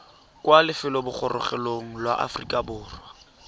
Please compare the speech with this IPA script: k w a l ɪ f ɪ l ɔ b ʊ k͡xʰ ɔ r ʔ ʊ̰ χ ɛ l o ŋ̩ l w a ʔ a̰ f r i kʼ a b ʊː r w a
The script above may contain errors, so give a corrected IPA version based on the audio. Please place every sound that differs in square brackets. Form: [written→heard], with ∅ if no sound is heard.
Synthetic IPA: k w a l ɪ f ɪ l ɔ b ʊ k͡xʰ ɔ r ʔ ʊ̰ χ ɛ l o ŋ̩ l w a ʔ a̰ f r i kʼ a b ʊː r w a